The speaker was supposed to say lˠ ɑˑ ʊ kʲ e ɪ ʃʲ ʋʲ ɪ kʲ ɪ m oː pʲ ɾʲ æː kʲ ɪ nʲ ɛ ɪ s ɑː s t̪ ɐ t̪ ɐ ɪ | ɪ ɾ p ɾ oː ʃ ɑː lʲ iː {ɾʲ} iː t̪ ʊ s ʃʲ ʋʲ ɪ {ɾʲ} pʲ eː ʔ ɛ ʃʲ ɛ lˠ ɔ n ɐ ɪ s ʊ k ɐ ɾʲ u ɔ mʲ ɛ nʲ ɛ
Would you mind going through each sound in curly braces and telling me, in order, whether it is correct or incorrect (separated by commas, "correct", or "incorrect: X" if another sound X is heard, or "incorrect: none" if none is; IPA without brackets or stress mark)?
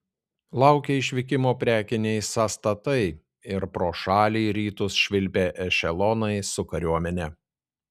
correct, incorrect: lʲ